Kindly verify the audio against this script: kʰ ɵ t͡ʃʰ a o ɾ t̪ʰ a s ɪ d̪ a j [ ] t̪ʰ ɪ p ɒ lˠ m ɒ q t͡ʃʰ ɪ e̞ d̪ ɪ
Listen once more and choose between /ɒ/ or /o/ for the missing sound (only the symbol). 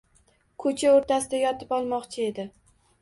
ɒ